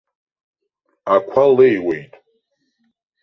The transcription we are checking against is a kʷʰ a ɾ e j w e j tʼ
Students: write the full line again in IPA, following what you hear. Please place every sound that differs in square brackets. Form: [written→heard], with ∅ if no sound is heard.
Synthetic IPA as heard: a kʷʰ a [ɾ→l] e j w e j tʼ